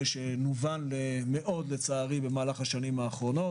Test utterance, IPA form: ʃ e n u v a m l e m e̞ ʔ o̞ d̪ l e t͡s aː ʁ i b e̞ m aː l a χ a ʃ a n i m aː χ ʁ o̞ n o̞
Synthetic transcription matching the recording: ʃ e n u v a n l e m e̞ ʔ o̞ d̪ l e t͡s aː ʁ i b e̞ m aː l a χ a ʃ a n i m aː χ ʁ o̞ n o̞